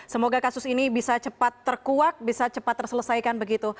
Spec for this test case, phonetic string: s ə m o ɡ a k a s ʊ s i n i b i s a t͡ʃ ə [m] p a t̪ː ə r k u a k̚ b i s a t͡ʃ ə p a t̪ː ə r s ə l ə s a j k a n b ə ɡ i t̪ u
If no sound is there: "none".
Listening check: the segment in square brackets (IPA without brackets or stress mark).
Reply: none